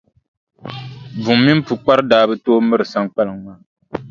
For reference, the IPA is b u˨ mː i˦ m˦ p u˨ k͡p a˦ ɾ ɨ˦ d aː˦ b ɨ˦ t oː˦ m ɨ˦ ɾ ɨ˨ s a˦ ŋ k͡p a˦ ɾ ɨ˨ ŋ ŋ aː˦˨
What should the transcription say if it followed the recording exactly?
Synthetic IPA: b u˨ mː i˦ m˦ p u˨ k͡p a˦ ɾ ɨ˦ d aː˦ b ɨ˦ t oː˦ m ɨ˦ ɾ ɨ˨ s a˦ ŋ k͡p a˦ l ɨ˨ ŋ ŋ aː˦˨

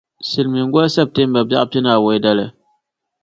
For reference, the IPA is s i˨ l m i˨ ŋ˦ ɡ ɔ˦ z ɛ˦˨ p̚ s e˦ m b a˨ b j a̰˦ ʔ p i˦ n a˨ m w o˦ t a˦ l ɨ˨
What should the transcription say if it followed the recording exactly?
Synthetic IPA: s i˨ l m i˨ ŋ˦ ɡ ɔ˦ s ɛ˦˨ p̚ t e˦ m b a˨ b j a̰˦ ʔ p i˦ n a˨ w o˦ d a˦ l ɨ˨

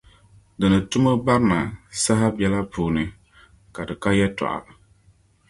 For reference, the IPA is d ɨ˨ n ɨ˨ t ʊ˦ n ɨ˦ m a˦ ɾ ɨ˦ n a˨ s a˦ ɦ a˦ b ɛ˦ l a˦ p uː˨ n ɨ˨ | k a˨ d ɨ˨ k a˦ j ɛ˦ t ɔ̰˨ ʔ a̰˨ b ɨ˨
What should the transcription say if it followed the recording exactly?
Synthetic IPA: d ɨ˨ n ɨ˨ t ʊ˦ m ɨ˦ b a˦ ɾ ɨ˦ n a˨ s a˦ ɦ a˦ b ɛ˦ l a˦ p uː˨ n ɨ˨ | k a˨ d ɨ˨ k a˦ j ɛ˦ t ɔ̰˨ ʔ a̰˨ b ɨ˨

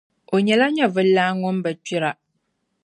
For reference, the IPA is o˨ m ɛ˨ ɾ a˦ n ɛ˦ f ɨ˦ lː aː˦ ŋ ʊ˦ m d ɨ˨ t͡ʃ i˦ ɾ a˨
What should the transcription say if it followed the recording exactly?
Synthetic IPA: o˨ ɲ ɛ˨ l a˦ ɲ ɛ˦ v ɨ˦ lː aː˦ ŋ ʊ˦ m b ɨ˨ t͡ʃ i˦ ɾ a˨

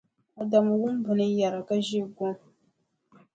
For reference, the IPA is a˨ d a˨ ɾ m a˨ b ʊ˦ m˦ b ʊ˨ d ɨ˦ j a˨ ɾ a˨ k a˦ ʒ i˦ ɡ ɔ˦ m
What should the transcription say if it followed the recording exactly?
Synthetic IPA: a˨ d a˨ m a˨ w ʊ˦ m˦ b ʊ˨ n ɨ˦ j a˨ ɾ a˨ k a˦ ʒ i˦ ɡ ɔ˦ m

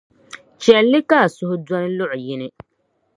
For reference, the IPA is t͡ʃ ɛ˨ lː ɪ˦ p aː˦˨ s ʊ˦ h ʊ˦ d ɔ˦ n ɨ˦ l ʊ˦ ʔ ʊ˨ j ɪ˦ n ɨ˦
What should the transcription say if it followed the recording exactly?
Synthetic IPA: t͡ʃ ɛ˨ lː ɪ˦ k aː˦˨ s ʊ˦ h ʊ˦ d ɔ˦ n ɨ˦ l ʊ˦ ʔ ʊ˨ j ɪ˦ n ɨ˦

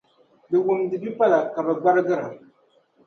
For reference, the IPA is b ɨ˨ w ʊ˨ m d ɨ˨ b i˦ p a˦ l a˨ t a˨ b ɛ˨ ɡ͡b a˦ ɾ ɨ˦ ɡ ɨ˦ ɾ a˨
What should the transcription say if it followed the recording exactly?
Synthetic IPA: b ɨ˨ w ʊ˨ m d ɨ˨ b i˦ p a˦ l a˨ k a˨ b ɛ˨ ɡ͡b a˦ ɾ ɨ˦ ɡ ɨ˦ ɾ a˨

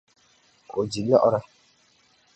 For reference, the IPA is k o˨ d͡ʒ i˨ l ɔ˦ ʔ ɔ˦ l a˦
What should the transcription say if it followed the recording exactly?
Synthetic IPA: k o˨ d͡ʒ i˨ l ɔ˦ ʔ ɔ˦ ɾ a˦

